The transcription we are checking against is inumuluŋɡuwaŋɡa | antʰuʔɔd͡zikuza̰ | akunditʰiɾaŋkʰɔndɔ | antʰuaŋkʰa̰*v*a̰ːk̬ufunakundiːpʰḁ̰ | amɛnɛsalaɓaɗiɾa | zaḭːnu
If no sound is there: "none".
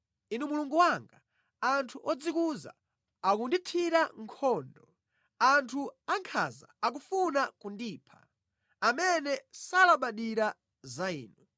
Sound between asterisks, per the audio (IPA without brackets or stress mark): z